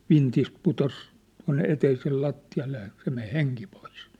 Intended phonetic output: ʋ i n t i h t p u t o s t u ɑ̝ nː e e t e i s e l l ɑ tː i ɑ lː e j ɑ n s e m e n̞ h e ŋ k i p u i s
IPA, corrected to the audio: ʋ i n t i s t p u t o s t u ɑ̝ nː e e t e i s e l l ɑ tː i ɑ lː e j ɑ s e m e n̞ h e ŋ k i p o i s